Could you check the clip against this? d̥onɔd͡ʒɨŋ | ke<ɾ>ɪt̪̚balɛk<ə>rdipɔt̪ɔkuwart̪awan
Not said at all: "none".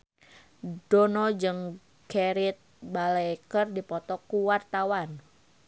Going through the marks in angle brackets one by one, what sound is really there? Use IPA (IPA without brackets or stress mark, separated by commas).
ɾ, ə